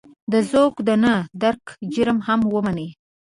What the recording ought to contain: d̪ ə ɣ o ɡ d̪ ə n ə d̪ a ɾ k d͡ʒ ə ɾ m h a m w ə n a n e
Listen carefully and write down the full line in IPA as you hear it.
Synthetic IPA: d̪ ə z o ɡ d̪ ə n ə d̪ a ɾ k d͡ʒ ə ɾ m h a m w ə m a n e